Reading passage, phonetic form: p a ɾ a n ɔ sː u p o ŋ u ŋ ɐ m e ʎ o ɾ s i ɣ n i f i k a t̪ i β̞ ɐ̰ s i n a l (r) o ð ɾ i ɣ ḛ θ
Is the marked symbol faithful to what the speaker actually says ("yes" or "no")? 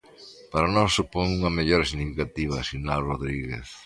yes